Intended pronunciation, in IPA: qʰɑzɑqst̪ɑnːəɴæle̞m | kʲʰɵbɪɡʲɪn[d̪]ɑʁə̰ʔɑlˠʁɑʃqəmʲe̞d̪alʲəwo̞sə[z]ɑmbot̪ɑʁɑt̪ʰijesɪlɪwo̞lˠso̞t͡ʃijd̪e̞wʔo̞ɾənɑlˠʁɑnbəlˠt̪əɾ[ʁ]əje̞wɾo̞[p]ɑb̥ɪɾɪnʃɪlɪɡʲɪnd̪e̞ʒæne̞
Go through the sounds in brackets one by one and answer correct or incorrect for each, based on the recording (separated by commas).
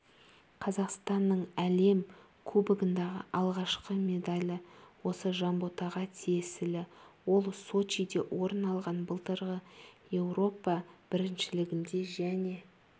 correct, incorrect, correct, correct